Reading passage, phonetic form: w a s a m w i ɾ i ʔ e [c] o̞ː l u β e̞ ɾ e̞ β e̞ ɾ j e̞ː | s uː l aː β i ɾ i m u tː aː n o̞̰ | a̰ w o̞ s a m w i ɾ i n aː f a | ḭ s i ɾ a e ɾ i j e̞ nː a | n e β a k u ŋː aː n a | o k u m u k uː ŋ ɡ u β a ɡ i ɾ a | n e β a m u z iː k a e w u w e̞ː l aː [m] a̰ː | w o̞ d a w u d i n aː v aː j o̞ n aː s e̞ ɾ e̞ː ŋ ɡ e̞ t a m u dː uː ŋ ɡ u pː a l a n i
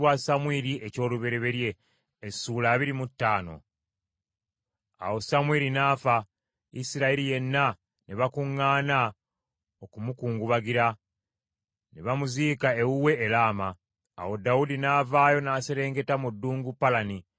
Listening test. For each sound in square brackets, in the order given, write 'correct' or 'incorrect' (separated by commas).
correct, correct